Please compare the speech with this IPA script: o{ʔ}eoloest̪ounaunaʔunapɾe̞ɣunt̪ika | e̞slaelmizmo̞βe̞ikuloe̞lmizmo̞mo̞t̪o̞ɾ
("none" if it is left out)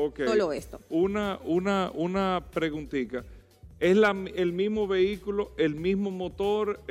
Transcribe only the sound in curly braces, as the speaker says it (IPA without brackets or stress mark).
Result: k